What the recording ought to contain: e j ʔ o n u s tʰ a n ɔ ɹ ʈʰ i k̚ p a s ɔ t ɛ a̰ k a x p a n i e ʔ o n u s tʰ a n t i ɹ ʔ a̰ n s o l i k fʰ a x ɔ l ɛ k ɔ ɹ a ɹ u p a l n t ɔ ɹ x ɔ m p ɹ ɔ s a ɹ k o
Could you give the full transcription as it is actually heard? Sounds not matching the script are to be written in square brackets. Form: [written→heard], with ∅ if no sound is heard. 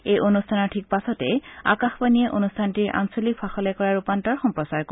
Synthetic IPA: e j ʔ o n u s tʰ a n ɔ ɹ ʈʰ i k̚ p a s ɔ t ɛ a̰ k a x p a n i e ʔ o n u s tʰ a n t i ɹ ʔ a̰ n s o l i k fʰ a x ɔ l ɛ k ɔ ɹ a ɹ u p a [l→∅] n t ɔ ɹ x ɔ m p ɹ ɔ s a ɹ k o